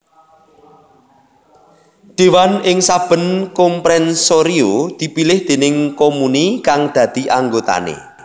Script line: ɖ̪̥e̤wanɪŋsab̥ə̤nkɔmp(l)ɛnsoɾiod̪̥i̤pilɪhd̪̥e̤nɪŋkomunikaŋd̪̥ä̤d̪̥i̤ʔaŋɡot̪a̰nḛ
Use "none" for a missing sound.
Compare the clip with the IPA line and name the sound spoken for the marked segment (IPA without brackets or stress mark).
ɾ